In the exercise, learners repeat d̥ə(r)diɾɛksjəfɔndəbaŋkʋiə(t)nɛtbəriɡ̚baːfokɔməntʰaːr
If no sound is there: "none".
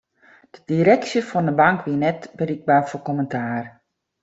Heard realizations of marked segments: none, none

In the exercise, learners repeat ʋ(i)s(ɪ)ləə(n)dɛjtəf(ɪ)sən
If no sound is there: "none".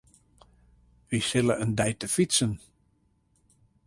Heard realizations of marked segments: i, ɪ, n, i

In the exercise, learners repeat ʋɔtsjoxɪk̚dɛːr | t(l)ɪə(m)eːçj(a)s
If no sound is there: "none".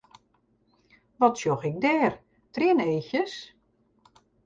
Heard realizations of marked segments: r, n, ə

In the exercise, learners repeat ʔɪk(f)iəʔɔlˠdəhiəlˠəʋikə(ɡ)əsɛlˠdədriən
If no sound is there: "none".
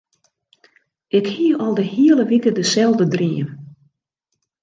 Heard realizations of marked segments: h, d

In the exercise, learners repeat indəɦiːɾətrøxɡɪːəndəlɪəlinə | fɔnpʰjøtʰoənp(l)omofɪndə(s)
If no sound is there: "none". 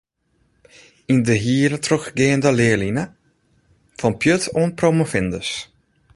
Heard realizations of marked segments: r, s

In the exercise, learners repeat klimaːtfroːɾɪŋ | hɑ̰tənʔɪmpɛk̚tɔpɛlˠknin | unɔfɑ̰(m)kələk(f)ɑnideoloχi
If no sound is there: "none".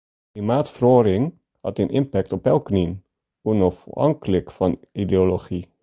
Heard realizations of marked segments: ŋ, f

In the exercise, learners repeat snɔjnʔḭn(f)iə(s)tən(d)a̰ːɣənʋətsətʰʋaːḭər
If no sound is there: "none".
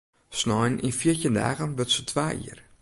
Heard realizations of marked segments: f, none, d

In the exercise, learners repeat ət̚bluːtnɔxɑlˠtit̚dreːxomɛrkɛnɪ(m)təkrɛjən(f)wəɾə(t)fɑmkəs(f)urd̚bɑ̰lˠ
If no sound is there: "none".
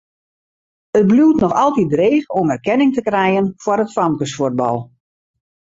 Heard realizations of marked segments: ŋ, f, t, f

